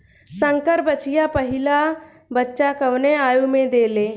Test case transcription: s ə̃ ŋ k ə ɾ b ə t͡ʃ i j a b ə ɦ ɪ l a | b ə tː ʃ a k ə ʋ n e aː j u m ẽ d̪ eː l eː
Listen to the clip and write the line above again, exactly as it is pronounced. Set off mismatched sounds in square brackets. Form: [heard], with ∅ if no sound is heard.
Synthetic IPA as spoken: s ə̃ ŋ k ə ɾ b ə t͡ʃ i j a [p] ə ɦ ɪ l a | b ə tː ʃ a k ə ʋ n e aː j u m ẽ d̪ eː l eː